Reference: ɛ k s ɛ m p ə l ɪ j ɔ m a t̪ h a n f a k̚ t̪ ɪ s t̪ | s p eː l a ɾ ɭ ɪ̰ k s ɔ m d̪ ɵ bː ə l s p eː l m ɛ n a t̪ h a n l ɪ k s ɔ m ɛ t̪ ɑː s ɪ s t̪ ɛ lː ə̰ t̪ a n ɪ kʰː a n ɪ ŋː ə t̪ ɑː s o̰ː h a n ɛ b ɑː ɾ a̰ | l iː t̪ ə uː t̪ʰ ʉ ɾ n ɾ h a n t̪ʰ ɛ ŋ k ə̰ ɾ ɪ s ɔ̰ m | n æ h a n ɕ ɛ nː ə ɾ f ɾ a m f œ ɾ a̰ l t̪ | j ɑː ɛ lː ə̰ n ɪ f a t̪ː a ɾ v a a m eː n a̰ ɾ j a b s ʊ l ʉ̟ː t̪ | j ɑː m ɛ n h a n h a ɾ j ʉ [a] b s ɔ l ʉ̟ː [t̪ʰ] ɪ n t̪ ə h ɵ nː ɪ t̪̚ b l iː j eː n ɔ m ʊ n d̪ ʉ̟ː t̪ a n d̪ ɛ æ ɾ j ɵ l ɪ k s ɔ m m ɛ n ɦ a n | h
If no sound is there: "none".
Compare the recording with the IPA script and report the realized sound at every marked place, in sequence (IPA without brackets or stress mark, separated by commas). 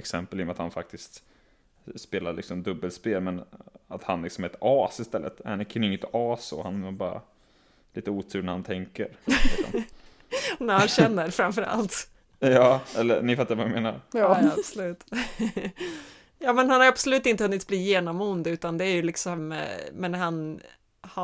a, t̪